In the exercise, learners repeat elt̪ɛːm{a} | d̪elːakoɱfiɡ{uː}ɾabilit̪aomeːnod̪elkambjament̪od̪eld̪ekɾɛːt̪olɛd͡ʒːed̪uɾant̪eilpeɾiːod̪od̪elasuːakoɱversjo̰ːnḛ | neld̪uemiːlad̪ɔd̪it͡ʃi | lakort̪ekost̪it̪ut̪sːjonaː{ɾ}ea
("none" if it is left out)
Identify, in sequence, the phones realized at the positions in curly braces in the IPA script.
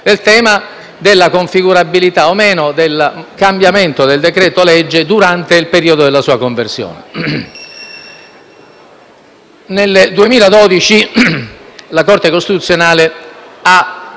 a, u, l

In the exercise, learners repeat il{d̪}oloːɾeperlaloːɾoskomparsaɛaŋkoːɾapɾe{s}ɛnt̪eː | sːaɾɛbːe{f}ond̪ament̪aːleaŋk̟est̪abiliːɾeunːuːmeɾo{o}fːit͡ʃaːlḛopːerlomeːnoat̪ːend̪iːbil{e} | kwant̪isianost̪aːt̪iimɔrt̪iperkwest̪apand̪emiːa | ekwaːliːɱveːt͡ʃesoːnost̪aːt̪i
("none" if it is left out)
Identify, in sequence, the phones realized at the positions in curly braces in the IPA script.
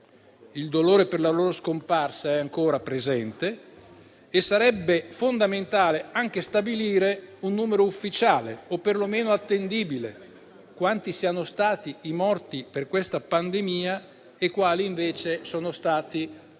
d̪, z, f, u, e

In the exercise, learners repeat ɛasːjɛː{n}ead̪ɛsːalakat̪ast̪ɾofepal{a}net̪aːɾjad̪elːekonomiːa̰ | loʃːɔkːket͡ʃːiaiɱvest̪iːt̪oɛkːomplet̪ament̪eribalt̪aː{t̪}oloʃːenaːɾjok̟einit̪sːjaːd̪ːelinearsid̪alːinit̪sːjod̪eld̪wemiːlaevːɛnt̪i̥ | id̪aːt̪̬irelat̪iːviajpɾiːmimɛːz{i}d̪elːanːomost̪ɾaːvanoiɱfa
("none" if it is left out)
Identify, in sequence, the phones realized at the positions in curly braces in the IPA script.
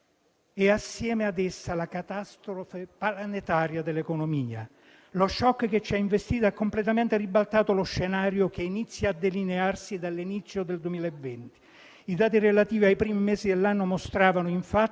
m, a, t̪, i

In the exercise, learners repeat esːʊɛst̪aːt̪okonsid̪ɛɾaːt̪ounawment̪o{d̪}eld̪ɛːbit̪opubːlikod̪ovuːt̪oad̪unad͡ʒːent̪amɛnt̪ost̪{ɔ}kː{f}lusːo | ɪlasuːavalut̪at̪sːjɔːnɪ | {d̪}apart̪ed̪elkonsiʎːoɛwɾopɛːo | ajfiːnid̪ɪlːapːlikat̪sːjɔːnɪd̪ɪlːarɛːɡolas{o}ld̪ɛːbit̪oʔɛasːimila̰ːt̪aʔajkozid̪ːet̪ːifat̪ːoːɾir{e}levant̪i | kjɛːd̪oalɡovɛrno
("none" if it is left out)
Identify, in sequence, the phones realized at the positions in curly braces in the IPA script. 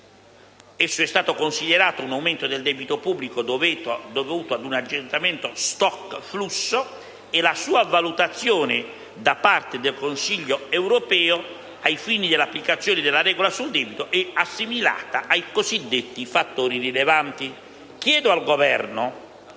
d̪, ɔ, f, d̪, u, i

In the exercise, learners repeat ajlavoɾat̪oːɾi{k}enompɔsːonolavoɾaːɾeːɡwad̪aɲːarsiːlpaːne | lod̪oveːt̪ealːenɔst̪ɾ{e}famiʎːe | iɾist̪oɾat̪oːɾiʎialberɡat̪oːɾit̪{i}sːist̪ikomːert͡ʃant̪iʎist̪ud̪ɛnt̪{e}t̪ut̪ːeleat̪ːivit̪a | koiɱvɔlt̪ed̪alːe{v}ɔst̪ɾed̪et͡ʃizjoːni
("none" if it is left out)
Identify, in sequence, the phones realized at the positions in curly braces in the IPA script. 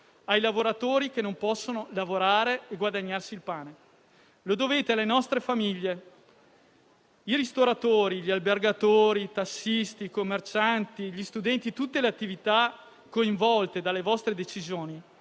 k, e, a, i, v

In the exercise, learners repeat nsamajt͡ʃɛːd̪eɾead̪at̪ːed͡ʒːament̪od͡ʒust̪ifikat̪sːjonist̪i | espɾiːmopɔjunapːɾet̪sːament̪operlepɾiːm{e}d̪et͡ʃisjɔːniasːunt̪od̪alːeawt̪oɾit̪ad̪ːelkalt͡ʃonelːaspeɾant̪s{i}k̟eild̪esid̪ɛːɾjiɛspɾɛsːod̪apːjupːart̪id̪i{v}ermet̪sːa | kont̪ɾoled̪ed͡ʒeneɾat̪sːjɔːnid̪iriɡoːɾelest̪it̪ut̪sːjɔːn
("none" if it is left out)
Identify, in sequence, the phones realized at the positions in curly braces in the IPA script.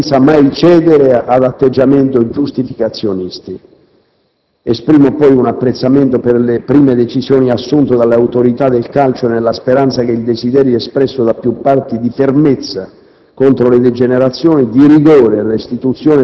e, a, f

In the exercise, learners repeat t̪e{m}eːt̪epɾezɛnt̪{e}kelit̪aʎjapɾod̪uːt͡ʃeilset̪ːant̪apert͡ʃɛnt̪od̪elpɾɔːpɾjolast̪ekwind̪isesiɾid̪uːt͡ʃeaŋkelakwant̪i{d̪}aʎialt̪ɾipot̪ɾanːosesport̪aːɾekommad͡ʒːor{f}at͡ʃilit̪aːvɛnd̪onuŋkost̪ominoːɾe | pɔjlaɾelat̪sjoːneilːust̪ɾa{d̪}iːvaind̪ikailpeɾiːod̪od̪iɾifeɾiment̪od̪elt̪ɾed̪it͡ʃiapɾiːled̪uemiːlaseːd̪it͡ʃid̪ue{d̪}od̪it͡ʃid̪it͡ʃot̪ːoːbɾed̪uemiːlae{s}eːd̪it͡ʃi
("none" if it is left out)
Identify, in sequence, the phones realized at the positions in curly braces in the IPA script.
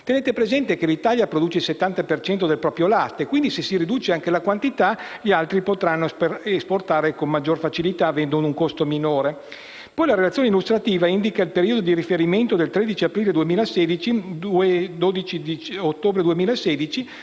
n, e, t̪, f, t̪, d̪, s

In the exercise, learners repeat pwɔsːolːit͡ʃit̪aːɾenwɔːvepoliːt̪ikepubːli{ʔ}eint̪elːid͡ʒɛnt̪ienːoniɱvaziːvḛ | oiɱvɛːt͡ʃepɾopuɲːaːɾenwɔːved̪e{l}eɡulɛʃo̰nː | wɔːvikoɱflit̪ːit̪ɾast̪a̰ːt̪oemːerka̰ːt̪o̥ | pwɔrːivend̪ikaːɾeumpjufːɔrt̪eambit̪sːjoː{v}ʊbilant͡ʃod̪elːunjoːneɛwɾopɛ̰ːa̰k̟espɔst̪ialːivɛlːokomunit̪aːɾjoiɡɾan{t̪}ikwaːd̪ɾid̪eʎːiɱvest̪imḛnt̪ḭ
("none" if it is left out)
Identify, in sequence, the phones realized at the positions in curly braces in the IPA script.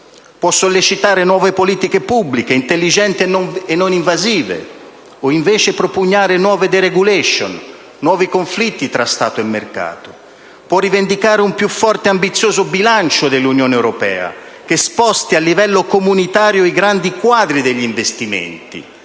k, ɾ, z, d̪

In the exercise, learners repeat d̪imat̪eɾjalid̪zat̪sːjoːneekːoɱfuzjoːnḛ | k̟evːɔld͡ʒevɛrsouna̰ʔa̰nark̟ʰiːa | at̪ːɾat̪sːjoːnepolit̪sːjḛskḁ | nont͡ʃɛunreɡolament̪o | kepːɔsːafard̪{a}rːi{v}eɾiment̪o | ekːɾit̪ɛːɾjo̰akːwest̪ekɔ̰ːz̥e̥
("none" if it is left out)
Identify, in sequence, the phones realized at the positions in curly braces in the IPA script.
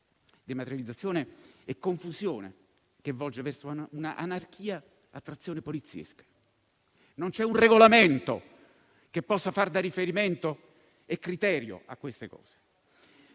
a, f

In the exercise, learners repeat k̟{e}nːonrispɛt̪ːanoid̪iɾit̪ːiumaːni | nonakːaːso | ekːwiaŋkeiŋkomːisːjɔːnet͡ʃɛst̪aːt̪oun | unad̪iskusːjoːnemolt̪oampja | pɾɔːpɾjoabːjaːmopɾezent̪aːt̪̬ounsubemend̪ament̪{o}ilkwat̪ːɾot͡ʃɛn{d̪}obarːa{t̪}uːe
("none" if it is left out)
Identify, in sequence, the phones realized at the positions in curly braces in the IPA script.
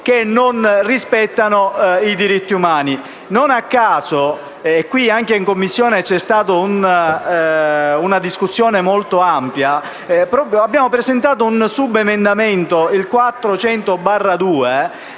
e, o, t̪, d̪

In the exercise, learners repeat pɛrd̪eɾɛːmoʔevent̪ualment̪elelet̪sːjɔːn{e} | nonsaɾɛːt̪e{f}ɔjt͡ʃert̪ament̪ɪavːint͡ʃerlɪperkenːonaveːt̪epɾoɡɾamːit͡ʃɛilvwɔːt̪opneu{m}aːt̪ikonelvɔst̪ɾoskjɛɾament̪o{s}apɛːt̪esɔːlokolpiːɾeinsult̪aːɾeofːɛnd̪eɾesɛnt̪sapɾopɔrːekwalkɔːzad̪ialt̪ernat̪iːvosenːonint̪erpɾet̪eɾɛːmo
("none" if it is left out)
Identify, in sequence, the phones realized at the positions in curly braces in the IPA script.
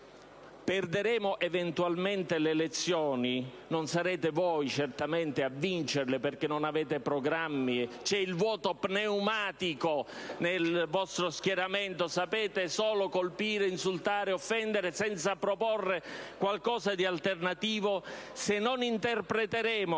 i, v, m, s

